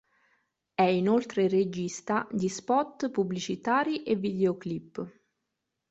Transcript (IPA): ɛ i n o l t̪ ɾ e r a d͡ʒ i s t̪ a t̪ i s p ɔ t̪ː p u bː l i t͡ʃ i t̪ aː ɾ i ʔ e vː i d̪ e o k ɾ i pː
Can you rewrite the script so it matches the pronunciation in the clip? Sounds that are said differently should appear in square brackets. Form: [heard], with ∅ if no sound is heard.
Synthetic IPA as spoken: ɛ i n o l t̪ ɾ e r [e] d͡ʒ i s t̪ a [d̪] i s p ɔ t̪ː p u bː l i t͡ʃ i t̪ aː ɾ i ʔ e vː i d̪ e o k [l] i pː